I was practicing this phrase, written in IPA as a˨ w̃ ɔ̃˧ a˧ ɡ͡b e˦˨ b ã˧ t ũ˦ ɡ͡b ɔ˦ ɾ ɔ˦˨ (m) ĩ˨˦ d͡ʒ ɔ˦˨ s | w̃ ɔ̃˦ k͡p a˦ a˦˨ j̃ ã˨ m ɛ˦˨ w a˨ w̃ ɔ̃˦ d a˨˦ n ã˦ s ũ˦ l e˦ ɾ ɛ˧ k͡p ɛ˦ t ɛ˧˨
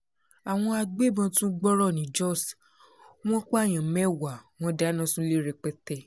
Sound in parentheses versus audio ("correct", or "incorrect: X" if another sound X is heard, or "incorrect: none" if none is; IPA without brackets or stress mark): incorrect: n